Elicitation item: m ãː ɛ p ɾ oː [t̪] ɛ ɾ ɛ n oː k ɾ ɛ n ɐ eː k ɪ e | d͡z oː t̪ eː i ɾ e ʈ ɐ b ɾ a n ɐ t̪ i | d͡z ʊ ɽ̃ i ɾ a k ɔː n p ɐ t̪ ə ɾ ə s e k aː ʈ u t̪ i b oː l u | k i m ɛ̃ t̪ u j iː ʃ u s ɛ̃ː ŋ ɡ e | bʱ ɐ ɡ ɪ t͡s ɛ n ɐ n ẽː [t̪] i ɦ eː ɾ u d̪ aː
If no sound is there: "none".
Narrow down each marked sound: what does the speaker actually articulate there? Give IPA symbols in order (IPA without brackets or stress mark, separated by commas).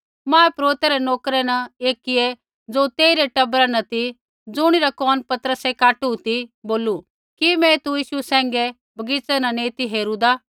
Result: t̪, t̪